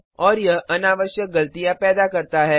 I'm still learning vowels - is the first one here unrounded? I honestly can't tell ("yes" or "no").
no